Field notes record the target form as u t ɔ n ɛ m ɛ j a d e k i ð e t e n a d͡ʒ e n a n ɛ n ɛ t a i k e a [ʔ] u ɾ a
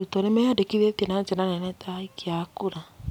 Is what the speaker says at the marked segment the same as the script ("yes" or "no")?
no